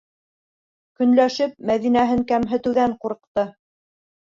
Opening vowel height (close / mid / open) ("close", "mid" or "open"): mid